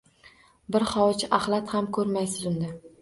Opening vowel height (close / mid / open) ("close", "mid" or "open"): close